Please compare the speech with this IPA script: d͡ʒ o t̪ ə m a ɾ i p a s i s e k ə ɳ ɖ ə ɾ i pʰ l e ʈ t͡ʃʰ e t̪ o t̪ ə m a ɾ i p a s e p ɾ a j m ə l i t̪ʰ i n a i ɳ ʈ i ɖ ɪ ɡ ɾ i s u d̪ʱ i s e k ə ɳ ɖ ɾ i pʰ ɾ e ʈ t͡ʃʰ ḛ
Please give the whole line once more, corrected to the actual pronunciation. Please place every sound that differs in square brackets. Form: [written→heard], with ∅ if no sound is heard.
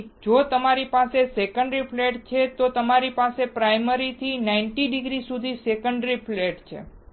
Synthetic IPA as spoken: d͡ʒ o t̪ ə m a ɾ i p a s [i→e] s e k ə ɳ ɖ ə ɾ i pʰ l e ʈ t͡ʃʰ e t̪ o t̪ ə m a ɾ i p a s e p ɾ a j m ə [l→ɾ] i t̪ʰ i n a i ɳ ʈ i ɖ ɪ ɡ ɾ i s u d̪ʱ i s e k ə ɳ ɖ ɾ i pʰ [ɾ→l] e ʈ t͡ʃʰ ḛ